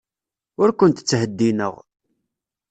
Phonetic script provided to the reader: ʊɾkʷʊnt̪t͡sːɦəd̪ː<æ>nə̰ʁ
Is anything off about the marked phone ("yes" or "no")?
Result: yes